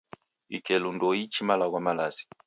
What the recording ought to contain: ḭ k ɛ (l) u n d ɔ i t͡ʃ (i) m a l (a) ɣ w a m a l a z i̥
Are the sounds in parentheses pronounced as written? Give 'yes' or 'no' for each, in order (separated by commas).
yes, yes, yes